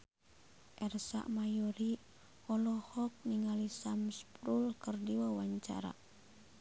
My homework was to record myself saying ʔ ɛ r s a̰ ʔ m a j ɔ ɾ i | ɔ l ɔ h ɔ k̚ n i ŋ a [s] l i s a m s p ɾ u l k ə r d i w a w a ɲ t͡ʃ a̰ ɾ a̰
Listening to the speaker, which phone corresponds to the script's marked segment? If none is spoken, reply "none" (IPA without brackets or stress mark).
none